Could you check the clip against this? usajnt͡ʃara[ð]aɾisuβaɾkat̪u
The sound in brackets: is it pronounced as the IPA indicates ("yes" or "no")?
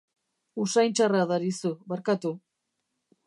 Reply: yes